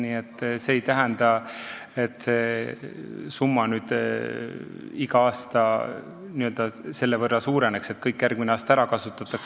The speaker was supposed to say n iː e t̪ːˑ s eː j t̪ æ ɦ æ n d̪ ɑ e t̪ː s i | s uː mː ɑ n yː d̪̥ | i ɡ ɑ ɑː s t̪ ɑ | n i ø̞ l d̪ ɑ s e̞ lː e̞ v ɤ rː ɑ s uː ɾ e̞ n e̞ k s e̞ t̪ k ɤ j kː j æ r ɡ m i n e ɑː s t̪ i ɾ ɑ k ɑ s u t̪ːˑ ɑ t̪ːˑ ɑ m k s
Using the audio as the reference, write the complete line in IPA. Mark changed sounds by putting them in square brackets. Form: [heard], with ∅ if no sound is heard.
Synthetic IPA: n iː e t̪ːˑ s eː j t̪ æ ɦ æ n d̪ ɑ e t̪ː s [e] | s [u] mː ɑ n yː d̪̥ | i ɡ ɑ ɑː s t̪ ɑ | n i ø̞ l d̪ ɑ s e̞ lː e̞ v ɤ rː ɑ s uː ɾ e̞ n e̞ k s e̞ t̪ k ɤ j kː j æ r ɡ m i n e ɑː s t̪ [æ] ɾ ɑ k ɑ s u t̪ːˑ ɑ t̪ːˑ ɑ [∅] k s